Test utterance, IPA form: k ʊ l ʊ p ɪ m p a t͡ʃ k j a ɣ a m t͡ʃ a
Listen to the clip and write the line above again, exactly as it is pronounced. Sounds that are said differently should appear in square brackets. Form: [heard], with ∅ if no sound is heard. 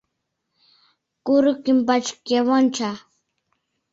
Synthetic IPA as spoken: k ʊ [ɾ] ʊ [k] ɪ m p a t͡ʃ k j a [w] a [n] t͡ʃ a